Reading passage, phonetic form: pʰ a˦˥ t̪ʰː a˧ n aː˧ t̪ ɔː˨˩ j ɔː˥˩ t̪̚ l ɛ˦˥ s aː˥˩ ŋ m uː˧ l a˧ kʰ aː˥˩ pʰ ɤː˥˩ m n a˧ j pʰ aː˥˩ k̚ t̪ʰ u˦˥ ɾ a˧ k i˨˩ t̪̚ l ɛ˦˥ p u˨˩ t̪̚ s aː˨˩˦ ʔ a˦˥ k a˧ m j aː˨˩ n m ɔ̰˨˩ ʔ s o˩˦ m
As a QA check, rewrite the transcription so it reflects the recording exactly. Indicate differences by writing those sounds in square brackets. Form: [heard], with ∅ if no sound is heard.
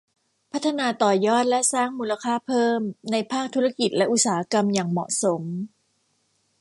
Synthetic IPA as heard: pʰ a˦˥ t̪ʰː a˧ n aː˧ t̪ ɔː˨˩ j ɔː˥˩ t̪̚ l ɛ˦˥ s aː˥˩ ŋ m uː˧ l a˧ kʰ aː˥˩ pʰ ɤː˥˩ m n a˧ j pʰ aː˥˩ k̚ t̪ʰ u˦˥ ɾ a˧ k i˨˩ t̪̚ l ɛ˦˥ [ʔ] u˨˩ t̪̚ s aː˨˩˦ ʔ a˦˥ k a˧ m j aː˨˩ [ŋ] m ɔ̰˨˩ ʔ s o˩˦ m